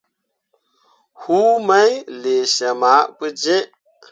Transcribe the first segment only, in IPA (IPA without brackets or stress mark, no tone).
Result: h